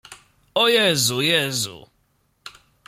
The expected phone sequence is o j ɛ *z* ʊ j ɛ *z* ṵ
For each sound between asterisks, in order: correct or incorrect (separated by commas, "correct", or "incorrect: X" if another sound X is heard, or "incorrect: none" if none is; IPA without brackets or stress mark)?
correct, correct